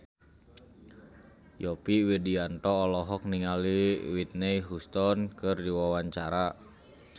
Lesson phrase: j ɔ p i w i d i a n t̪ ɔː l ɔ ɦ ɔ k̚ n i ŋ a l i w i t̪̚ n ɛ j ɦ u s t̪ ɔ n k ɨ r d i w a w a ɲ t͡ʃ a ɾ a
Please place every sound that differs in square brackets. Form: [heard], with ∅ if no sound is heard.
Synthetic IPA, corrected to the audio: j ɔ p i w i d i a n t̪ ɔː l ɔ ɦ ɔ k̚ n i ŋ a l i w i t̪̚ n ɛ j ɦ u s t̪ ɔ n k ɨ r d i w a w a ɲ t͡ʃ a ɾ a